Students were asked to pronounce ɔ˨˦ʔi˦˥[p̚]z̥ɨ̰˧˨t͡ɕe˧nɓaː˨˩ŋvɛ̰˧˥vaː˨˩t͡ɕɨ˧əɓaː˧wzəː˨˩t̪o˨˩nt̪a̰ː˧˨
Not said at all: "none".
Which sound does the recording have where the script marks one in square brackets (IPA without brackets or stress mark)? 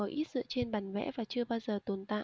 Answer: t̚